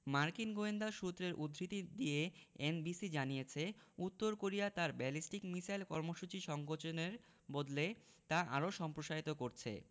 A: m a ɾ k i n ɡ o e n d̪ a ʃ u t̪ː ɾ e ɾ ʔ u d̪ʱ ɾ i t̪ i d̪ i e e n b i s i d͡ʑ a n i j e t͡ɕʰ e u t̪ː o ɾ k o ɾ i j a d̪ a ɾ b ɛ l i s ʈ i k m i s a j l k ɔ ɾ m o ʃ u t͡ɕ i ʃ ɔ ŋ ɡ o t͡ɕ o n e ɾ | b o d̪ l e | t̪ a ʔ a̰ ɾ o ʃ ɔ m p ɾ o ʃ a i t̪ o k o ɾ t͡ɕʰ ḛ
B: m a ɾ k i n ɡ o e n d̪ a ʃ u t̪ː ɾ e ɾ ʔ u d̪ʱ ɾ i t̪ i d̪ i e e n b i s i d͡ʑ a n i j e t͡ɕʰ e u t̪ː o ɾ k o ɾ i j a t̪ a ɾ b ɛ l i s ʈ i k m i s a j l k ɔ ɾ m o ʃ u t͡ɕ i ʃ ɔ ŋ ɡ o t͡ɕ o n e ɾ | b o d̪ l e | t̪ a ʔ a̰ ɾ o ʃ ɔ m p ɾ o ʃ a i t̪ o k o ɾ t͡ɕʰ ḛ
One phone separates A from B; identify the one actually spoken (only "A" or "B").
B